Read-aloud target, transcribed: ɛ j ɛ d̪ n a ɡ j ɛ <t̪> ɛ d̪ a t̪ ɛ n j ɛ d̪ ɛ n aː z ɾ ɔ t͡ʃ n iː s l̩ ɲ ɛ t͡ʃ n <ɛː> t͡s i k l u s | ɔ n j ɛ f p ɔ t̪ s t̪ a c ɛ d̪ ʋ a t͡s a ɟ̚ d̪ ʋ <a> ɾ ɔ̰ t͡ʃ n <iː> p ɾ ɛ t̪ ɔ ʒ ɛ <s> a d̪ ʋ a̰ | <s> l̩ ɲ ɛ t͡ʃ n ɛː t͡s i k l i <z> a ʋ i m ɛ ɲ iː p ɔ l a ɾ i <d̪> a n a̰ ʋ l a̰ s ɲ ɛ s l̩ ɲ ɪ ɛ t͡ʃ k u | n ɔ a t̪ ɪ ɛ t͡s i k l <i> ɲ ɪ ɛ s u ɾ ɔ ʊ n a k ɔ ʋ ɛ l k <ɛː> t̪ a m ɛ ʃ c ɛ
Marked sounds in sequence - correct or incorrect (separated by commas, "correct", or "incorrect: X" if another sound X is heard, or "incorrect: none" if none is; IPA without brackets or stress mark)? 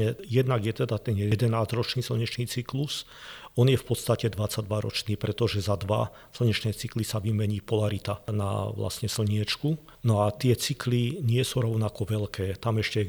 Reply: correct, incorrect: iː, correct, correct, incorrect: z, correct, incorrect: s, incorrect: t̪, correct, correct